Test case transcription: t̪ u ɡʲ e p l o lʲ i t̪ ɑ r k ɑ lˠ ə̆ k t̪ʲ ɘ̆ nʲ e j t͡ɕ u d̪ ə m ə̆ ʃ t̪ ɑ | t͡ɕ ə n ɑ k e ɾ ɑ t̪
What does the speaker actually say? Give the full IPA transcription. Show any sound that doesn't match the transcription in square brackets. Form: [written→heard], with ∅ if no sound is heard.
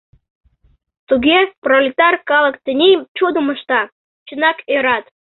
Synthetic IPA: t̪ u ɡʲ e p [l→r] o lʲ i t̪ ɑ r k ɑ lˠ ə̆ k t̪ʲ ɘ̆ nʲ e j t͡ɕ u d̪ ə m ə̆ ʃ t̪ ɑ | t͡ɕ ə n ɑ k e ɾ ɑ t̪